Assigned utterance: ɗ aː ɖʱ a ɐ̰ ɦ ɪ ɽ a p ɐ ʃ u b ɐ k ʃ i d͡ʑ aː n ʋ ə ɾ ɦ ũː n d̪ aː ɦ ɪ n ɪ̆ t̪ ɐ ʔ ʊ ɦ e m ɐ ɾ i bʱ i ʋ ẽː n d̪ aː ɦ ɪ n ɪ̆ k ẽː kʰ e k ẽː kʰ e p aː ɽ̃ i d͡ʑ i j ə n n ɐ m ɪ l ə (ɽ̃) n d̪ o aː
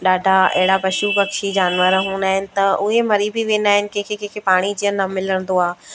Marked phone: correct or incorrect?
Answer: correct